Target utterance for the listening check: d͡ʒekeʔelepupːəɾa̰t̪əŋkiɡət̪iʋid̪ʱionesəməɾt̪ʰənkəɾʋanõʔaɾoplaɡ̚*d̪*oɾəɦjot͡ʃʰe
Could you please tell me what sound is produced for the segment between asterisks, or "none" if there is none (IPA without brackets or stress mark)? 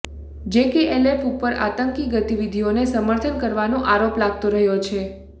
t̪